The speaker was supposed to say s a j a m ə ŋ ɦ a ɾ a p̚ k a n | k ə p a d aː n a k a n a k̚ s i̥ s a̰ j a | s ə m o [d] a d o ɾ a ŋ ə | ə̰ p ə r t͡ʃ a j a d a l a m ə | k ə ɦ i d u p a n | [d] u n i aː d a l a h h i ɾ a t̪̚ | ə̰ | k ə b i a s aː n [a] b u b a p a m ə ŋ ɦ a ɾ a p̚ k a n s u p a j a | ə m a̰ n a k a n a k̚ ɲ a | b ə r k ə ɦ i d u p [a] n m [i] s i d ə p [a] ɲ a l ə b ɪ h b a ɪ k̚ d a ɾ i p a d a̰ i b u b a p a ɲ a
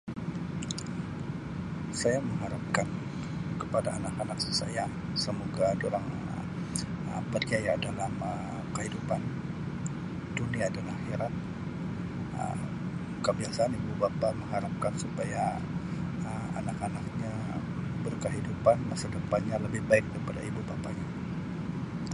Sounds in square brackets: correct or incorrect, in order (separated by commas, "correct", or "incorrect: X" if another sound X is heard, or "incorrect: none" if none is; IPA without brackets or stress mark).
incorrect: ɡ, correct, incorrect: i, correct, incorrect: a, correct